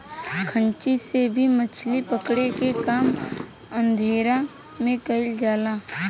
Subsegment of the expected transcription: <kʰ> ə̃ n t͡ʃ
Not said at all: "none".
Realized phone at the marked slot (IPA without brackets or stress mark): kʰ